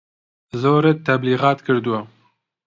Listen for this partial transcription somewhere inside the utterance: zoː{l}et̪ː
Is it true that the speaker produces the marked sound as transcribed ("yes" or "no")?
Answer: no